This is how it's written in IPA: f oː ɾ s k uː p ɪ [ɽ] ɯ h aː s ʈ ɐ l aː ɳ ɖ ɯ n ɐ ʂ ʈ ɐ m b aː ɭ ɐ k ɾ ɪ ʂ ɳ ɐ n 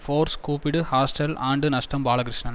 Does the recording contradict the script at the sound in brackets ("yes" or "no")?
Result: no